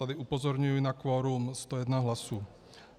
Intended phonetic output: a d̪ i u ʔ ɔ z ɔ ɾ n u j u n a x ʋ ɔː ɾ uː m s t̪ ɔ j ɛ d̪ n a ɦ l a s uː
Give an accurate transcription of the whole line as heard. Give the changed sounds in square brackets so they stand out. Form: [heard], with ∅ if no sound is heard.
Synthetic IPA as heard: a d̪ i u [p] ɔ z ɔ ɾ [ɲ] u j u n a [k] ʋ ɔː ɾ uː m s t̪ ɔ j ɛ d̪ n a ɦ l a s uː